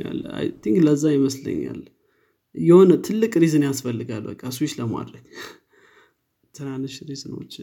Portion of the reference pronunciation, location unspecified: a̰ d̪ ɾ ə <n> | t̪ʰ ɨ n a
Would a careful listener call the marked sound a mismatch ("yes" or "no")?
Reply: yes